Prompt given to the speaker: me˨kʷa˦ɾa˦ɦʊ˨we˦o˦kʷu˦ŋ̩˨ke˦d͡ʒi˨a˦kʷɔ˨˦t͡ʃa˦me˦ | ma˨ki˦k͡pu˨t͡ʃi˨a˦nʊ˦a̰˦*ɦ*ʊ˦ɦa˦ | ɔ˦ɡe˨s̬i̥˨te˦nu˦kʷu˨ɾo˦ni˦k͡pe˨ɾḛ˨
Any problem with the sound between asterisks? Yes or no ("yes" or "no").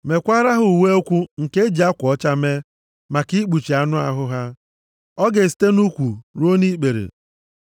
no